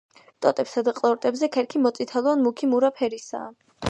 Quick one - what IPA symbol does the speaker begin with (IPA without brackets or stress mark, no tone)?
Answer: t̪ʼ